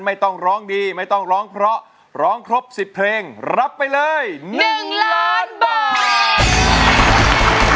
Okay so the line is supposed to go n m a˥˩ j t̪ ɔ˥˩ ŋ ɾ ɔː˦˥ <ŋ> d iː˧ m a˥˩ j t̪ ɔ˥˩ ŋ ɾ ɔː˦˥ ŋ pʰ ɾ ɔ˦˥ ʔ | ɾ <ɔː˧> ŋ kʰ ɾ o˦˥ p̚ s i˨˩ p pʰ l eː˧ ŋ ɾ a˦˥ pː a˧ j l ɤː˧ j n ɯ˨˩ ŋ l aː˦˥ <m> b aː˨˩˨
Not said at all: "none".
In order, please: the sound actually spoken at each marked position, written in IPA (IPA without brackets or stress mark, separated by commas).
ŋ, ɔː˦˥, n